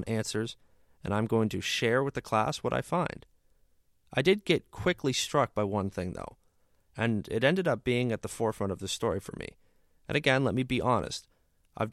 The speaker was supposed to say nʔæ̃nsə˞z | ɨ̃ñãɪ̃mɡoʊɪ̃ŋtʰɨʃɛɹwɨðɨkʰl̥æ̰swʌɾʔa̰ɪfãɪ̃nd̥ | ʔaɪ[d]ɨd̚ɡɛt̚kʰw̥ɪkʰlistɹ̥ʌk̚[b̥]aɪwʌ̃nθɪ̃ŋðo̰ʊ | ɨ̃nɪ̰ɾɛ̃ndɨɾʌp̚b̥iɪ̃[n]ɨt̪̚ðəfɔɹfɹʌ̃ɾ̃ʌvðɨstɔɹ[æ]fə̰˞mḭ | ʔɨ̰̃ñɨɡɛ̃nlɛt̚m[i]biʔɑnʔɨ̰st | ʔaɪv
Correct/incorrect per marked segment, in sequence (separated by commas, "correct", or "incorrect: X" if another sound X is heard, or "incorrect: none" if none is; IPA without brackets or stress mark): correct, correct, incorrect: ŋ, incorrect: i, correct